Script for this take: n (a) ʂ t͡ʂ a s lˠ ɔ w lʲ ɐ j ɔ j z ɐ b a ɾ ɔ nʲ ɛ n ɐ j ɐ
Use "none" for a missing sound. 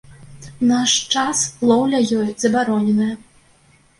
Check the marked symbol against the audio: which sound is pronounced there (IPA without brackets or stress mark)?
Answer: a